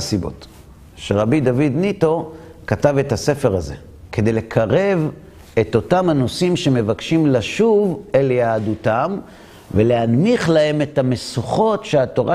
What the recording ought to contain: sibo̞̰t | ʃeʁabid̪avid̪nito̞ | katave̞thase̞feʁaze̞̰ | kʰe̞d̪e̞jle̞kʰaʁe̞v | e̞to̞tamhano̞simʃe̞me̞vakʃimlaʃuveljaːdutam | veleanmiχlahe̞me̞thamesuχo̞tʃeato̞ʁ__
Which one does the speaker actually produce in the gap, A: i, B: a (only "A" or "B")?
B